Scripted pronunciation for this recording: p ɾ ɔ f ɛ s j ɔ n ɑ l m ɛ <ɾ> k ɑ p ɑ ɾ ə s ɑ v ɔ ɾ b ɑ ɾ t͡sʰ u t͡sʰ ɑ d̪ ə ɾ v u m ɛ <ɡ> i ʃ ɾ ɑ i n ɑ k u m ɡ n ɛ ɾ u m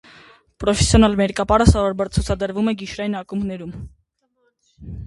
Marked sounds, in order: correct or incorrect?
correct, correct

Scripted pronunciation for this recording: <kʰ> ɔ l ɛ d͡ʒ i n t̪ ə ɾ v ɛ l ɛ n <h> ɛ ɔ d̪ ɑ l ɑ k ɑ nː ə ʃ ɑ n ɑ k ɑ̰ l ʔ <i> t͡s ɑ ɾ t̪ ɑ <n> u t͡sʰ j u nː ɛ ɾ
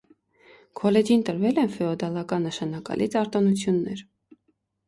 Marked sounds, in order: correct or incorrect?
correct, incorrect, correct, correct

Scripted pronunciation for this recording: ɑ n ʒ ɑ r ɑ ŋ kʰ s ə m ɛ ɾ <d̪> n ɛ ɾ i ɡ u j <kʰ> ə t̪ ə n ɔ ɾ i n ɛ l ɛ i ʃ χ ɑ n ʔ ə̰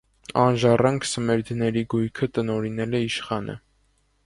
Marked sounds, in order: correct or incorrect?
correct, correct

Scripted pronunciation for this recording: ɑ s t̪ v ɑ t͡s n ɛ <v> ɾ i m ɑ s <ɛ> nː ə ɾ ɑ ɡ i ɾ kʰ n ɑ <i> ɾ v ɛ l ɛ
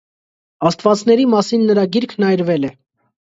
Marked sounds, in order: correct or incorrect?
incorrect, incorrect, incorrect

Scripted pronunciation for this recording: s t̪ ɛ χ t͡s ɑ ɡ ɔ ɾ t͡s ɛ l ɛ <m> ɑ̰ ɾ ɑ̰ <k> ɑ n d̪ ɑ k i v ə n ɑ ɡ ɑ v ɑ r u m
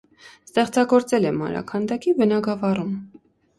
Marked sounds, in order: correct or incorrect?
correct, incorrect

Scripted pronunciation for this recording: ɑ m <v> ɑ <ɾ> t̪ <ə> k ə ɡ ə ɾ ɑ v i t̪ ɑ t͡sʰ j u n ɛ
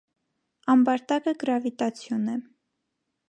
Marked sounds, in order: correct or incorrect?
incorrect, correct, incorrect

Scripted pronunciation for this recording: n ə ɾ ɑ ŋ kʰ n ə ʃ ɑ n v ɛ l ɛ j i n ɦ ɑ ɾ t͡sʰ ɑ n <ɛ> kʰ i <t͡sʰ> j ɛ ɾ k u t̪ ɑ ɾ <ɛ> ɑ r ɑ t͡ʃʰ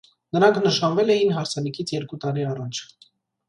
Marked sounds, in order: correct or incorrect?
incorrect, correct, incorrect

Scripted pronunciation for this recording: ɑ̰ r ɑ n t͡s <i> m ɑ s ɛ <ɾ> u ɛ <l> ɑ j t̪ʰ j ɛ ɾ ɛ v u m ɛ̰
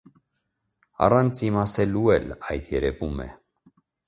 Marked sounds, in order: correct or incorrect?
correct, incorrect, correct

